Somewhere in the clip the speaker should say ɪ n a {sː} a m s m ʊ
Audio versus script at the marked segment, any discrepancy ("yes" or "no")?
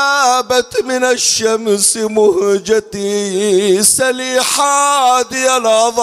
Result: yes